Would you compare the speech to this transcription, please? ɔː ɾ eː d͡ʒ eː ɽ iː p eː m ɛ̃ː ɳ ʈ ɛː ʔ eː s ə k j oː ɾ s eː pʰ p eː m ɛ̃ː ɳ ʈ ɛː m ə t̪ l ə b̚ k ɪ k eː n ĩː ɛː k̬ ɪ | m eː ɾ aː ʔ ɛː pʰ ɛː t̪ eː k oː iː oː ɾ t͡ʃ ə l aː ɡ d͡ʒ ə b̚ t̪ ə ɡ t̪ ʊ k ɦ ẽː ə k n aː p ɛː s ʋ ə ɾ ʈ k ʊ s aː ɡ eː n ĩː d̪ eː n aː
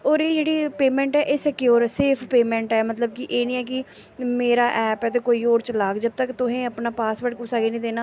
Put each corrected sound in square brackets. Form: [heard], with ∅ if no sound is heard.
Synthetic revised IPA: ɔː ɾ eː d͡ʒ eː ɽ iː p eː m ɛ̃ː ɳ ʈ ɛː ʔ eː s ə k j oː ɾ s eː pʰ p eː m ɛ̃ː ɳ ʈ ɛː m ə t̪ l ə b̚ k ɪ [ʔ] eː n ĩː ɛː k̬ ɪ | m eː ɾ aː ʔ ɛː [p] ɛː t̪ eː k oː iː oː ɾ t͡ʃ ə l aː ɡ d͡ʒ ə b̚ t̪ ə [k] t̪ ʊ [∅] ɦ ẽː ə [p] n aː p [aː] s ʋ ə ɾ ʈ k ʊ s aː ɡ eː n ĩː d̪ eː n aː